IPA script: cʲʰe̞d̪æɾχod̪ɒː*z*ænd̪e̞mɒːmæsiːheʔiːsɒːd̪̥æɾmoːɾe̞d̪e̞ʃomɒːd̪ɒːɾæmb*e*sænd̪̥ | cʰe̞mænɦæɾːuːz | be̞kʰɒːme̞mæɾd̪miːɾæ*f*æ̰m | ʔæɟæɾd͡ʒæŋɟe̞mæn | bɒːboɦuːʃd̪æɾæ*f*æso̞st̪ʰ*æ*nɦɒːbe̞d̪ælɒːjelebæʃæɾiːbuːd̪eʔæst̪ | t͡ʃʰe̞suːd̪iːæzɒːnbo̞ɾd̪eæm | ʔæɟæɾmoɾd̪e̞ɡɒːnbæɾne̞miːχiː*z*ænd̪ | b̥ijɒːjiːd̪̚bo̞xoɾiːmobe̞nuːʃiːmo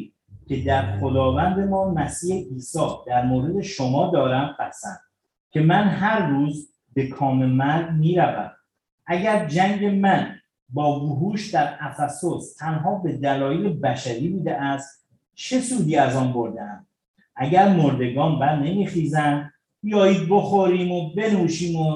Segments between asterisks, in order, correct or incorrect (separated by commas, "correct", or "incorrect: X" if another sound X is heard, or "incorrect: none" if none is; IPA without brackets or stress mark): incorrect: v, incorrect: æ, incorrect: v, correct, correct, correct